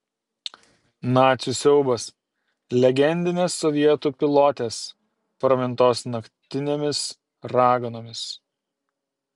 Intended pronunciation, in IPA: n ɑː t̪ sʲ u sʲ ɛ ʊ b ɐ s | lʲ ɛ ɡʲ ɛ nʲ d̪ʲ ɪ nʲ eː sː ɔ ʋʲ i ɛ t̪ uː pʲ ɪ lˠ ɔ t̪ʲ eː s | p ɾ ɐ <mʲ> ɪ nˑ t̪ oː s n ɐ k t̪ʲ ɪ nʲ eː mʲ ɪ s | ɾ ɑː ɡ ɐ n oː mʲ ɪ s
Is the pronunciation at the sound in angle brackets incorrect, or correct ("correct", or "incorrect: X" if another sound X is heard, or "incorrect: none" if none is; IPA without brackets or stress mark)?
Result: correct